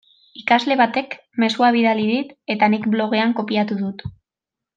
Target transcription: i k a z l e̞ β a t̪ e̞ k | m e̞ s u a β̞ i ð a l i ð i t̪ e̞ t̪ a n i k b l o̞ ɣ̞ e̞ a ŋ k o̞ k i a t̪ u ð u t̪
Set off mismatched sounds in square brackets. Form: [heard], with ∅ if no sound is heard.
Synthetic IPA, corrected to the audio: i k a z l e̞ β a t̪ e̞ k | m e̞ s u a β̞ i ð a l i ð i t̪ e̞ t̪ a n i k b l o̞ ɣ̞ e̞ a ŋ k o̞ [p] i a t̪ u ð u t̪